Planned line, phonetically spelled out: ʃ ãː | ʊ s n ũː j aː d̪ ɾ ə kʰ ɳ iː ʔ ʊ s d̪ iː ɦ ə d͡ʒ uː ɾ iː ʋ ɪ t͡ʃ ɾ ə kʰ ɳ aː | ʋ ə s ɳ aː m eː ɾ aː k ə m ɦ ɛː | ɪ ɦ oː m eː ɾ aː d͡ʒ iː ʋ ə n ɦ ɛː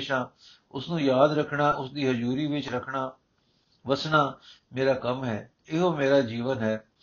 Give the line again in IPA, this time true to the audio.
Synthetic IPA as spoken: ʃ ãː | ʊ s n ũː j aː d̪ ɾ ə kʰ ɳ aː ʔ ʊ s d̪ iː ɦ ə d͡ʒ uː ɾ iː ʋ ɪ t͡ʃ ɾ ə kʰ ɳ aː | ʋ ə s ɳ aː m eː ɾ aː k ə m ɦ ɛː | ɪ ɦ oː m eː ɾ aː d͡ʒ iː ʋ ə n ɦ ɛː